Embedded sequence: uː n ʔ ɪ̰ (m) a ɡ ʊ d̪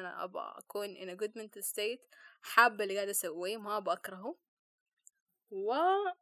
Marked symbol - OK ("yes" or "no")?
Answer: no